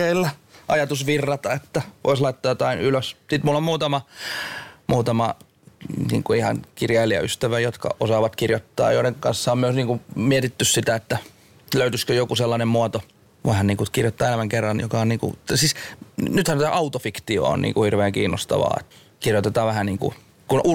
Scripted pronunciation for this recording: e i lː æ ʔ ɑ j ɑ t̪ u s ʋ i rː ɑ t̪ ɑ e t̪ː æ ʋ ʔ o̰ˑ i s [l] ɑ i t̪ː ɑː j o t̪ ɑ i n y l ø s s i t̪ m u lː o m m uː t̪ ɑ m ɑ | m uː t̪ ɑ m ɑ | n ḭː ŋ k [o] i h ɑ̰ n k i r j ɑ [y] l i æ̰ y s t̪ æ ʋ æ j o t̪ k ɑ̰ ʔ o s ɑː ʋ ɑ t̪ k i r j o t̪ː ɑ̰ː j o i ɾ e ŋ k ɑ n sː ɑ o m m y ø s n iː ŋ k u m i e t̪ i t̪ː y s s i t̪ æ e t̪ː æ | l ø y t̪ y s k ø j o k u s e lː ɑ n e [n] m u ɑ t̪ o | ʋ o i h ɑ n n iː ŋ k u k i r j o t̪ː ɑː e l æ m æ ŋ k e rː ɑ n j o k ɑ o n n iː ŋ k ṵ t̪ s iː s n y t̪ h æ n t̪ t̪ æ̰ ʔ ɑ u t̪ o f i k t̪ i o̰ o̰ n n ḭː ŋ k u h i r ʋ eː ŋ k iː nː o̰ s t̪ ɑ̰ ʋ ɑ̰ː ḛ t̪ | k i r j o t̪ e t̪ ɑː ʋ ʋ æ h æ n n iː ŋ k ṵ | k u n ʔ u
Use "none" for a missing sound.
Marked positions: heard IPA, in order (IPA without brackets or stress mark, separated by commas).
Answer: l, u, i, m